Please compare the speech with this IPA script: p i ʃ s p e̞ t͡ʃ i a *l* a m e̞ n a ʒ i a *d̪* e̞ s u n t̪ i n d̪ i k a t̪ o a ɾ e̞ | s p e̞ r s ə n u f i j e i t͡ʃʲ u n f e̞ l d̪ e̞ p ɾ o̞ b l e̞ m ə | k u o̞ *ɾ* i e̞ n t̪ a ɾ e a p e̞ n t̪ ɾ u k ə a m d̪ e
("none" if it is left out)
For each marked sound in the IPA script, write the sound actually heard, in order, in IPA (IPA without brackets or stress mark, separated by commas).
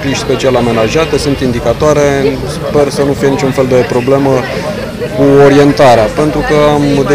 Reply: l, t̪, ɾ